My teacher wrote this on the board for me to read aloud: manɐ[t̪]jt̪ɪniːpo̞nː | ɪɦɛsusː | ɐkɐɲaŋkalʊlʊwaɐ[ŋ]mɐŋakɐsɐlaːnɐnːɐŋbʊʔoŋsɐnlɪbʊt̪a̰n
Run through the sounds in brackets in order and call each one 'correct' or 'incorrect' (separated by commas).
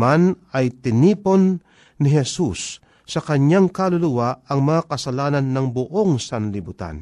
incorrect, correct